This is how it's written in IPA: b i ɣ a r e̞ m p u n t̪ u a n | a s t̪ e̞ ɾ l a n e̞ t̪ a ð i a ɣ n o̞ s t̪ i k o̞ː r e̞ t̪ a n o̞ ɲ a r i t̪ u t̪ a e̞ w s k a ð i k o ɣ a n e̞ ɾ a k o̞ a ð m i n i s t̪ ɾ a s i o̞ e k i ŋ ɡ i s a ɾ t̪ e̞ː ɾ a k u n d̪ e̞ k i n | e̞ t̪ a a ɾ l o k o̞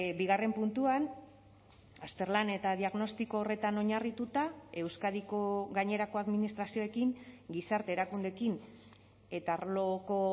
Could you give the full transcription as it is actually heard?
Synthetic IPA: b i ɣ a r e̞ m p u n t̪ u a n | a s t̪ e̞ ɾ l a n e̞ t̪ a ð i a ɣ n o̞ s t̪ i k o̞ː r e̞ t̪ a n o̞ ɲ a r i t̪ u t̪ a e̞ w s k a ð i k o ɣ a ɲ e̞ ɾ a k o̞ a ð m i n i s t̪ ɾ a s i o̞ e k i ŋ ɡ i s a ɾ t̪ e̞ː ɾ a k u n d̪ e̞ k i n | e̞ t̪ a a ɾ l o k o̞